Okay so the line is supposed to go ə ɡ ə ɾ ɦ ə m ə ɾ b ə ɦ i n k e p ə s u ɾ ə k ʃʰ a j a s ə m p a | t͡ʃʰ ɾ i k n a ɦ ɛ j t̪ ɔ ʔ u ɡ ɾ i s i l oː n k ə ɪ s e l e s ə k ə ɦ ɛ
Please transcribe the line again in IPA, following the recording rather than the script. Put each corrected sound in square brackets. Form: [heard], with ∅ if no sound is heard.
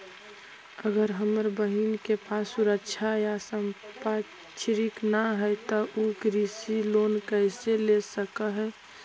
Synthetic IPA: ə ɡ ə ɾ ɦ ə m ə ɾ b ə ɦ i n k e p [a] s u ɾ ə k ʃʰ a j a s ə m p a | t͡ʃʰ ɾ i k n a ɦ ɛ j t̪ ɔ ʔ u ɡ ɾ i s i l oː n k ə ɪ s e l e s ə k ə ɦ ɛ